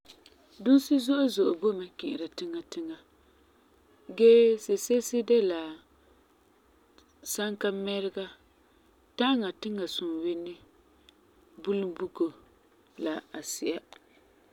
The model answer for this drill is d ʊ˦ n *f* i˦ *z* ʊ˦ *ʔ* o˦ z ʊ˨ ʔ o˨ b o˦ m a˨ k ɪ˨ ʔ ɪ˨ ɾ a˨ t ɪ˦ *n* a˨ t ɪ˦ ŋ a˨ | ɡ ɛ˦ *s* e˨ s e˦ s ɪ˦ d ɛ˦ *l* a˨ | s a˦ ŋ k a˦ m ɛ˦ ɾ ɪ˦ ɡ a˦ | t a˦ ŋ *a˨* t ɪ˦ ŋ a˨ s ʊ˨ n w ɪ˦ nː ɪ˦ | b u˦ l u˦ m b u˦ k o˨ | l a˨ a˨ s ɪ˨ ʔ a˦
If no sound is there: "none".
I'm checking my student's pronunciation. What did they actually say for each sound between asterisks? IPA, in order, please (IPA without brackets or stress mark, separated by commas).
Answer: s, z, ʔ, ŋ, s, l, a˨